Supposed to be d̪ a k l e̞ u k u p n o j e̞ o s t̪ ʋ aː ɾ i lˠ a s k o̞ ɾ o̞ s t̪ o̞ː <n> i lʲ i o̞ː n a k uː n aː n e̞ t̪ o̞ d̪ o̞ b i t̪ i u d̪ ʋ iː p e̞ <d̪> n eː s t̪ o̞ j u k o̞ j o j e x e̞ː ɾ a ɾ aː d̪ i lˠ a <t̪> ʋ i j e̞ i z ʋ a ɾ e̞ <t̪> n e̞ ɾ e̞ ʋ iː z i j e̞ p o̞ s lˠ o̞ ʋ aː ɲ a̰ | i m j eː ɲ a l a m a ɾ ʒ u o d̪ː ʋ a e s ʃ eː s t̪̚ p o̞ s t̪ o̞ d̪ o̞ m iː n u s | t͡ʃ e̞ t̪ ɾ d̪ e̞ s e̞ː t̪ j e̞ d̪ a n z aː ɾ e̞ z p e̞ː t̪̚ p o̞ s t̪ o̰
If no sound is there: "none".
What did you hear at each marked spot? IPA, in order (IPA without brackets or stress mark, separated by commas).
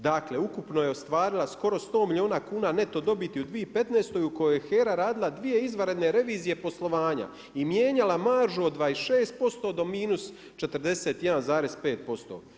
m, t̪, d̪, d̪